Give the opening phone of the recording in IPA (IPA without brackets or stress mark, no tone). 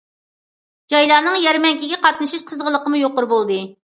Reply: d͡ʒ